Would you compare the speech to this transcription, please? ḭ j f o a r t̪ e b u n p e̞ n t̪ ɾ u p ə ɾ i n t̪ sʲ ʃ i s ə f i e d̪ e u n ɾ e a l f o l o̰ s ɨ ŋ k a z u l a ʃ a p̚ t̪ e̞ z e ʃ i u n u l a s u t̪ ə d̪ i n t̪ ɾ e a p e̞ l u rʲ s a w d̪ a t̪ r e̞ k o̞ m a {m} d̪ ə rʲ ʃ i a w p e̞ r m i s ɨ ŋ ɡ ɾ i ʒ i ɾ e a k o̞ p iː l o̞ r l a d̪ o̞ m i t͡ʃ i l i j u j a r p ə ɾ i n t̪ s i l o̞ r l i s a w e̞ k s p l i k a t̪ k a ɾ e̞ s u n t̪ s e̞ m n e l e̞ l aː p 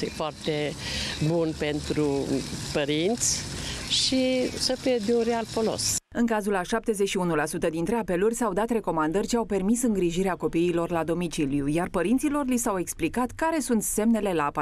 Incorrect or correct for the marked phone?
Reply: incorrect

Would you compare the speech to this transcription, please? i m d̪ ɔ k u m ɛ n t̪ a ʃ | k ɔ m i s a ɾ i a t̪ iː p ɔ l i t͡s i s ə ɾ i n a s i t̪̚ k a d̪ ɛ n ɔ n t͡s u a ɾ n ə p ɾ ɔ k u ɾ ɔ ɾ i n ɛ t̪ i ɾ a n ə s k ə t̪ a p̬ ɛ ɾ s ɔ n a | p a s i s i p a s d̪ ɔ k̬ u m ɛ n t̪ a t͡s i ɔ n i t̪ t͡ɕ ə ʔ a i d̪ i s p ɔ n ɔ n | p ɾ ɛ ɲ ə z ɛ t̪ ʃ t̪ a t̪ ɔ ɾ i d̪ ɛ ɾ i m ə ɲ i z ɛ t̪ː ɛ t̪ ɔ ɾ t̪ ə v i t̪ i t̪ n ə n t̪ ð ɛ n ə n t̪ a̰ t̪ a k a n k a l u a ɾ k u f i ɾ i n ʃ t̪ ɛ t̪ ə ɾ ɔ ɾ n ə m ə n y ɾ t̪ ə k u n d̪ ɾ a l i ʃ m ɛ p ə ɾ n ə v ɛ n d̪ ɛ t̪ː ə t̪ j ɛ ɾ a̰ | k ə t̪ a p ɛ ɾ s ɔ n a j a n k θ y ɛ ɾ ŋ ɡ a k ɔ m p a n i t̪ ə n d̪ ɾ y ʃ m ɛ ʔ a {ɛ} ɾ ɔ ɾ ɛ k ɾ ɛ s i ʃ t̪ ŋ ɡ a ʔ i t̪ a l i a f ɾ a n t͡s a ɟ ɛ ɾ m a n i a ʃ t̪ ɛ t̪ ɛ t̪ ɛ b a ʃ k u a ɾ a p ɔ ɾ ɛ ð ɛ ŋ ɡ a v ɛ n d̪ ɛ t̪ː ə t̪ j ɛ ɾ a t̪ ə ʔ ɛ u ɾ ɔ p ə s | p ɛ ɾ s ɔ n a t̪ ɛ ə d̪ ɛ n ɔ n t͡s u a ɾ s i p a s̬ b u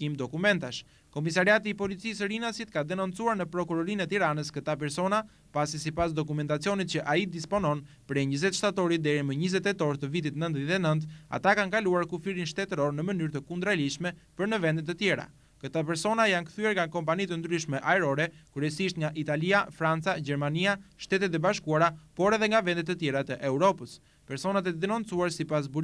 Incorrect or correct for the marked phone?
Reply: correct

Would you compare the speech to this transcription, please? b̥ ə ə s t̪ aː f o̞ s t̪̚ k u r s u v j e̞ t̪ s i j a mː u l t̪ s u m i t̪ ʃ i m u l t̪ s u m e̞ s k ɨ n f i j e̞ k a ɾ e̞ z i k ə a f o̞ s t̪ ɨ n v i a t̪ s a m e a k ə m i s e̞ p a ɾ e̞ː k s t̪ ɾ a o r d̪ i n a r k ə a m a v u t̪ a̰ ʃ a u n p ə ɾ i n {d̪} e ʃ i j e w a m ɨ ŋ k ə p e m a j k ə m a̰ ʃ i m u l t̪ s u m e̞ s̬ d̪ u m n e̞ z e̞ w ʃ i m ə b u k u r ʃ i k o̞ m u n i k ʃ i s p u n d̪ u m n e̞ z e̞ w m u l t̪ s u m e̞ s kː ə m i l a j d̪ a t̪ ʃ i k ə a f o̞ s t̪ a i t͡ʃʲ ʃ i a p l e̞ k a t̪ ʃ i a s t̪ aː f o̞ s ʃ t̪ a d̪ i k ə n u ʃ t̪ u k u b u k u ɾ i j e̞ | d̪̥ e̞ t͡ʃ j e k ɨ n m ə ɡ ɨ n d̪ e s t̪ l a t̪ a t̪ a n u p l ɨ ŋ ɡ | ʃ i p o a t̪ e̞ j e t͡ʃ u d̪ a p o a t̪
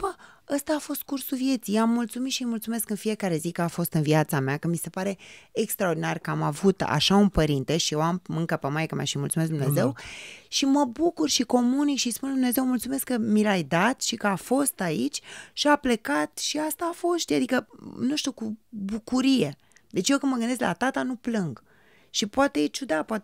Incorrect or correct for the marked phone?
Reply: incorrect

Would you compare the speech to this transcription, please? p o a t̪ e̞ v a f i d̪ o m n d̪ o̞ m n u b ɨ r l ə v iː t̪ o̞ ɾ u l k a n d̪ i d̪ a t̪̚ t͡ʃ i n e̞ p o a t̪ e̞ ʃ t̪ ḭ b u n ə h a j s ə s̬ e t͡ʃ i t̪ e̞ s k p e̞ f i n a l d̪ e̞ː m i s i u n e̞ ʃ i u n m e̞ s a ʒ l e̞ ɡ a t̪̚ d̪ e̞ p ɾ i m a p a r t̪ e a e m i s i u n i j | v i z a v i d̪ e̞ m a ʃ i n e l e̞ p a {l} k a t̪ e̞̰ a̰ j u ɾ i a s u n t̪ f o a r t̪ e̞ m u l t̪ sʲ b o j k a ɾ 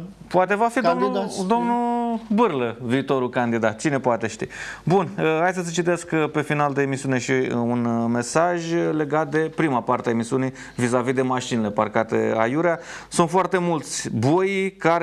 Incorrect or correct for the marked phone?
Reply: incorrect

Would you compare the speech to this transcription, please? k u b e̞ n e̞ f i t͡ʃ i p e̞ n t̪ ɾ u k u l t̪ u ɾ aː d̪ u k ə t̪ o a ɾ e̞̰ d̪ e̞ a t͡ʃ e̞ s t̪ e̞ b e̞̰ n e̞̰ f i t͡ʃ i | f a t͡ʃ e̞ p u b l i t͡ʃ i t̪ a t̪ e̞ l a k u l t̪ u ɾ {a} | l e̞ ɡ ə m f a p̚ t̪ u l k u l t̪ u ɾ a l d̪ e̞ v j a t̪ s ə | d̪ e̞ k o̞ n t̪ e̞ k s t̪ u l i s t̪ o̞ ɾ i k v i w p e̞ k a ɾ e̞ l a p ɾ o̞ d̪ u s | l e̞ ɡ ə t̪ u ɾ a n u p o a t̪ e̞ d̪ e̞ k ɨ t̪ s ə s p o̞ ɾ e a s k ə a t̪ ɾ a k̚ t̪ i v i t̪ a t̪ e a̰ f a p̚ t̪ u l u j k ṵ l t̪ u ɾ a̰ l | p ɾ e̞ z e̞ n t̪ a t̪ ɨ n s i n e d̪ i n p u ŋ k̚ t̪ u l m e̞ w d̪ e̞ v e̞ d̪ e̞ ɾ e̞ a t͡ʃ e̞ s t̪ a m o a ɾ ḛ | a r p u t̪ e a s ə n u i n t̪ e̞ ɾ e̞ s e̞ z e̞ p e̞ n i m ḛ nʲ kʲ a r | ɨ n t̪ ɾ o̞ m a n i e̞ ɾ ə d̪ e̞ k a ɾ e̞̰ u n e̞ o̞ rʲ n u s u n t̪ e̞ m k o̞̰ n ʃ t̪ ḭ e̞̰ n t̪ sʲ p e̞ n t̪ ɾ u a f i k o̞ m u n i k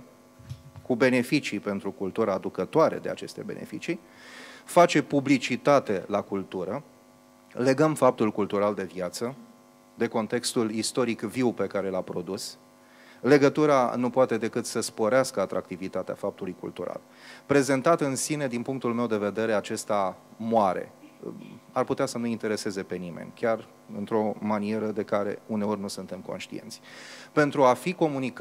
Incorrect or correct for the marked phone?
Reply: incorrect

